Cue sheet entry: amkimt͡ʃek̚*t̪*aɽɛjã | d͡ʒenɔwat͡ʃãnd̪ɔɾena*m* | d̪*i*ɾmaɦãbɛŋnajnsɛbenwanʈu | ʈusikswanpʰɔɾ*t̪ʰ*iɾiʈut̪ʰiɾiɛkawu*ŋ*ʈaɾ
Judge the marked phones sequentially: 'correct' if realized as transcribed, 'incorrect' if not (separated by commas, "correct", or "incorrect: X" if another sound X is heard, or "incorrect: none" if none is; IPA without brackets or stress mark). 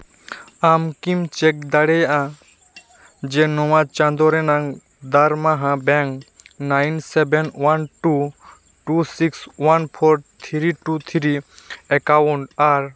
incorrect: d̪, incorrect: ŋ, incorrect: a, correct, incorrect: ɳ